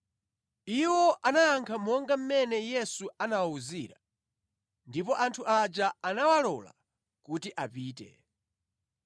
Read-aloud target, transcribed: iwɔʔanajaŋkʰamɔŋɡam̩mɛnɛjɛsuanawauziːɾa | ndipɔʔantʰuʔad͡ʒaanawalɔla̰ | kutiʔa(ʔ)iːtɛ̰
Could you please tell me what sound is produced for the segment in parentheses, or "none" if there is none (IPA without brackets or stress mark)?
p